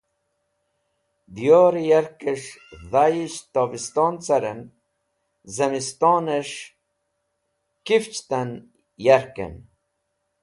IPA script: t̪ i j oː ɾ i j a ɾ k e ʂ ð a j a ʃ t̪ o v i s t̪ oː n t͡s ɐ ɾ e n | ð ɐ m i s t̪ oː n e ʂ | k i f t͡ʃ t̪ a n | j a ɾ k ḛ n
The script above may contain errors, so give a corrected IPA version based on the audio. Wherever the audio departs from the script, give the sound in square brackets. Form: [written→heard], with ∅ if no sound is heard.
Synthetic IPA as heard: [t̪→d̪] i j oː ɾ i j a ɾ k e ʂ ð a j [a→i] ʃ t̪ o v i s t̪ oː n t͡s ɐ ɾ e n | [ð→z] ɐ m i s t̪ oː n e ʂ | k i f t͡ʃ t̪ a n | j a ɾ k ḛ n